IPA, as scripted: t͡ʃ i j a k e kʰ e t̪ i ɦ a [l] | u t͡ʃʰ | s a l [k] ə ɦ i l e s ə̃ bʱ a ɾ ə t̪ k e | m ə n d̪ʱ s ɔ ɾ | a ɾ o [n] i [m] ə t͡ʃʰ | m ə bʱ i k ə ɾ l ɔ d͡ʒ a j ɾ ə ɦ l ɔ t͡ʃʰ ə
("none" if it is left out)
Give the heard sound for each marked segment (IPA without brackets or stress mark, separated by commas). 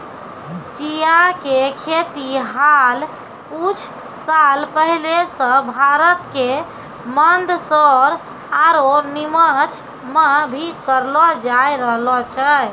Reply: l, p, n, m